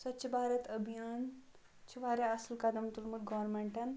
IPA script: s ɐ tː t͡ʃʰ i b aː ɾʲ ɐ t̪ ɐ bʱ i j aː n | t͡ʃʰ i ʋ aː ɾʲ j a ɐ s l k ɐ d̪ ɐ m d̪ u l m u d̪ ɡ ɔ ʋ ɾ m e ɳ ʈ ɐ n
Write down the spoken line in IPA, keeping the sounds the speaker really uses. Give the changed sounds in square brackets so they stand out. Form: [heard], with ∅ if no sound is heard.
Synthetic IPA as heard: s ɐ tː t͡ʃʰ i b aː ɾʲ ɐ t̪ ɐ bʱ i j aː n | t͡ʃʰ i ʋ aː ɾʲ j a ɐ s l k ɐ d̪ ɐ m [t̪] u l m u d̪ ɡ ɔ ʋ ɾ m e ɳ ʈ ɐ n

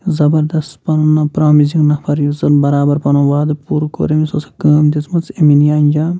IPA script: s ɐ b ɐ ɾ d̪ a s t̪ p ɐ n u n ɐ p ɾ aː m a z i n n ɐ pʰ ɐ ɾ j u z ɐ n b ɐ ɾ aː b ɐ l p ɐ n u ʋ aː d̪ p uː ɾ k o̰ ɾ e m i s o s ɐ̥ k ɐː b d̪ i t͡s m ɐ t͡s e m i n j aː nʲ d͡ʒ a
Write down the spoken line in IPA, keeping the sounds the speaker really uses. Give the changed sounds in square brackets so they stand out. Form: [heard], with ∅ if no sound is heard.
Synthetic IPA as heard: [z] ɐ b ɐ ɾ d̪ [ɐ] s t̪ p ɐ n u n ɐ p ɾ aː m [i] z i [ŋ] n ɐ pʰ ɐ ɾ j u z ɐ n b ɐ ɾ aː b ɐ [ɾ] p ɐ n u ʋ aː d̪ p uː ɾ k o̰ ɾ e m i s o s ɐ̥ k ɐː [m] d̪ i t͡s m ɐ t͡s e m i n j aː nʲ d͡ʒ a

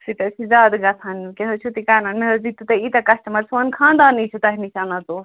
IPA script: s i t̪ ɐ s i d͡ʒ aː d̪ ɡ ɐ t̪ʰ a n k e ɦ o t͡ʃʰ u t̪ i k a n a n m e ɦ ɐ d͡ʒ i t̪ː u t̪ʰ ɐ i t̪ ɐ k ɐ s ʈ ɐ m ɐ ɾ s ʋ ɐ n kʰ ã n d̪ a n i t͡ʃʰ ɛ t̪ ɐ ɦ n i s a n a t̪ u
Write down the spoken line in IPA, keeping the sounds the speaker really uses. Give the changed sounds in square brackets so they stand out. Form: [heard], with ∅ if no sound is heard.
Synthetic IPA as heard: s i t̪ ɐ s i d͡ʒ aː d̪ ɡ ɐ t̪ʰ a n k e ɦ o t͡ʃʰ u t̪ i k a n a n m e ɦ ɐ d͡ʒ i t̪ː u [t̪] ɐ i t̪ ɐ k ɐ s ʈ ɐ m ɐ ɾ s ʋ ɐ n kʰ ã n d̪ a n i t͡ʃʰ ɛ t̪ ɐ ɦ n i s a n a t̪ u

